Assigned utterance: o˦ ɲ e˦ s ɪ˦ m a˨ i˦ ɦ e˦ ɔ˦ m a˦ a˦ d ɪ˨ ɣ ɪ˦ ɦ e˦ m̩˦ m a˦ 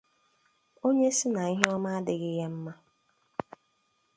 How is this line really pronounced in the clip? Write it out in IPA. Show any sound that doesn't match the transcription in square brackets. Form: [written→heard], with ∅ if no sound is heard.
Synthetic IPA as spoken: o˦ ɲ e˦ s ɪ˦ [m→n] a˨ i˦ ɦ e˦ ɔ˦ m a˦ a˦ d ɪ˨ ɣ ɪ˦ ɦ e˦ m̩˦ m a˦